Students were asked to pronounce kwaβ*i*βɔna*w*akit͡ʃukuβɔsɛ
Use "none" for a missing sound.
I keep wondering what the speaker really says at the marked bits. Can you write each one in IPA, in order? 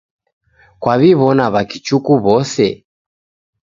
i, β

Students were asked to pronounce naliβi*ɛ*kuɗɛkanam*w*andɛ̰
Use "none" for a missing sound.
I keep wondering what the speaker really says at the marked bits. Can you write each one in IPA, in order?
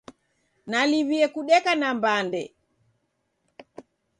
ɛ, b

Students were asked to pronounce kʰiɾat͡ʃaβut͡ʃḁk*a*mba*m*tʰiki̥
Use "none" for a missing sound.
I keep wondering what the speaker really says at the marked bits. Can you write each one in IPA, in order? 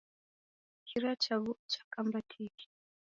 a, none

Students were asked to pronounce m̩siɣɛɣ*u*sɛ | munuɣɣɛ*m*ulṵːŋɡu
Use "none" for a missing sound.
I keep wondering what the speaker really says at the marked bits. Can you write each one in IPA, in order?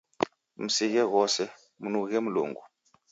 ɔ, m

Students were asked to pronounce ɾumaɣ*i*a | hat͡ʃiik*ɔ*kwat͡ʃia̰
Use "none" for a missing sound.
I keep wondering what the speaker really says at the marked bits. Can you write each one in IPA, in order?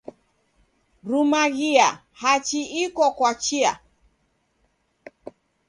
i, ɔ

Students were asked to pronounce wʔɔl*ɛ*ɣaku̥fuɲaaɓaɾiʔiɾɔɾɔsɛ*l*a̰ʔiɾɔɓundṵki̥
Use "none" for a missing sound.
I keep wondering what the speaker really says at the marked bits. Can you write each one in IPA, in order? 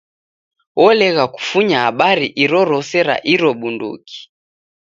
ɛ, ɾ

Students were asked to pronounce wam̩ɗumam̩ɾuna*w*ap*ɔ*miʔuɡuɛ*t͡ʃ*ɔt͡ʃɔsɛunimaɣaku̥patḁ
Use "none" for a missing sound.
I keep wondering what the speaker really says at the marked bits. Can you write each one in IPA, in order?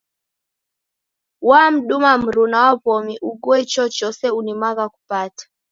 w, ɔ, t͡ʃ

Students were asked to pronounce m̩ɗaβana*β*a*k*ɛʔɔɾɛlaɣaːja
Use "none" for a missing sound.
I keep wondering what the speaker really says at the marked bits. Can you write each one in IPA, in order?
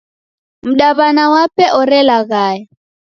w, p

